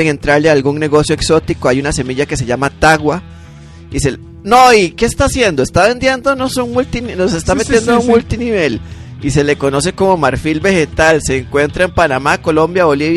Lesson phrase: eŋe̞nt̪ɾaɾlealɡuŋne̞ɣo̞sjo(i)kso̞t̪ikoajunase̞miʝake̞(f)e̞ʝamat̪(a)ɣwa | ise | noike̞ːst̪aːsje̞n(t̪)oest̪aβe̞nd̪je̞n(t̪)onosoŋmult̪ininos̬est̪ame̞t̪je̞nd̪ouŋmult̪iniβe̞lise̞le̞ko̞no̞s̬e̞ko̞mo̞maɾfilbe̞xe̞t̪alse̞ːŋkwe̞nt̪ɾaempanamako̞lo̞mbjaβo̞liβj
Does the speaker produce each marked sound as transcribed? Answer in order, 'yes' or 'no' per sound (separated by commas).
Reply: no, no, yes, no, no